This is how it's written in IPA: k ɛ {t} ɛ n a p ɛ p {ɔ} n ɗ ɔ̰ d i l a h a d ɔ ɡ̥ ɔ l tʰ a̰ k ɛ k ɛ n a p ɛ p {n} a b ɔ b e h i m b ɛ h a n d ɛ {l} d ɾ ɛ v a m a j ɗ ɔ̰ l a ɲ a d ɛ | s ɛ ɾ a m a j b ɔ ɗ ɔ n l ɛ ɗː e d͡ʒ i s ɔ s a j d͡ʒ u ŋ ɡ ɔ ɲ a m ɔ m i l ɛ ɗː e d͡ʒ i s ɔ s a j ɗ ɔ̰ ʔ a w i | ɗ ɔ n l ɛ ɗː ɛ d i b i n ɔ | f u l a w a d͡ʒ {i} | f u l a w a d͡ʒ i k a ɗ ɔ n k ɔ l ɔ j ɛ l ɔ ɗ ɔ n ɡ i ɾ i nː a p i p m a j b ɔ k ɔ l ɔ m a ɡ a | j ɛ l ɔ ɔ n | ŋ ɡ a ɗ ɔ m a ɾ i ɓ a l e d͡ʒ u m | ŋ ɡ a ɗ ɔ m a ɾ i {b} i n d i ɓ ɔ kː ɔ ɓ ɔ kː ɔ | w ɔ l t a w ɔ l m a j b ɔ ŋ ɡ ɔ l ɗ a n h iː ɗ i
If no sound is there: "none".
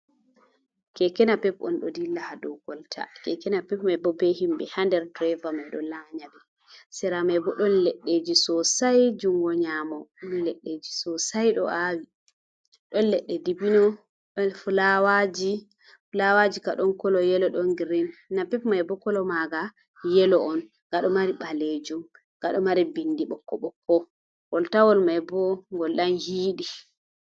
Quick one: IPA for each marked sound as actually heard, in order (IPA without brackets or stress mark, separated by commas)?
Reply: k, ɔ, m, ɾ, i, b